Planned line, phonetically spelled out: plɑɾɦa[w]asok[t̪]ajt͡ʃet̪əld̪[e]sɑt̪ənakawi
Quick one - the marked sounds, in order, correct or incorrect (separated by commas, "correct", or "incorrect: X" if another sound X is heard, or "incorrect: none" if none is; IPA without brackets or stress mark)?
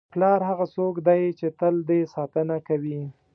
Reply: incorrect: ɣ, incorrect: d̪, correct